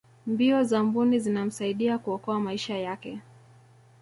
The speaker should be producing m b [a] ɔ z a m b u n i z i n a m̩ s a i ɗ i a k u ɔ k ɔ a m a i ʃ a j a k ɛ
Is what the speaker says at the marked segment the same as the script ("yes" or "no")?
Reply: no